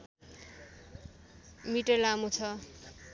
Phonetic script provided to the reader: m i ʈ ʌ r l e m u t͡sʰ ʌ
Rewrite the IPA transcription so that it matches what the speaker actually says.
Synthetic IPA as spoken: m i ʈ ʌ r l a m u t͡sʰ ʌ